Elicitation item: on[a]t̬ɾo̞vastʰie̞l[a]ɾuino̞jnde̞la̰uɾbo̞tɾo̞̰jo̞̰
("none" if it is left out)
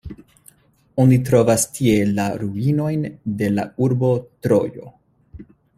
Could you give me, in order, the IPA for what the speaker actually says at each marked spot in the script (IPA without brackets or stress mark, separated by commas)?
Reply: i, a